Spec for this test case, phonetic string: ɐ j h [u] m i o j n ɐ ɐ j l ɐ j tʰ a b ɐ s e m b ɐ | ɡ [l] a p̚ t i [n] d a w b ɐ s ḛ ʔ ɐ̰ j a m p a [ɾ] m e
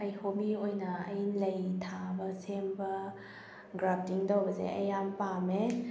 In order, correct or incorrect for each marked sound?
incorrect: o, incorrect: ɾ, incorrect: ŋ, incorrect: none

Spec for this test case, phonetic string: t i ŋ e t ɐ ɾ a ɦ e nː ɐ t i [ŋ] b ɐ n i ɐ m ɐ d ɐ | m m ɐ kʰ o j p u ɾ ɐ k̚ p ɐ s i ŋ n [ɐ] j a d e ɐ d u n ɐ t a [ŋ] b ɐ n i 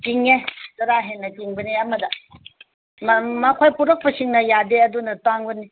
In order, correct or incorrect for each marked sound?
correct, correct, correct

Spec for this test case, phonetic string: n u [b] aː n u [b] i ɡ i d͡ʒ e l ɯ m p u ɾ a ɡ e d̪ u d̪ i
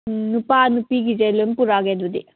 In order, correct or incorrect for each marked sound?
incorrect: p, incorrect: p

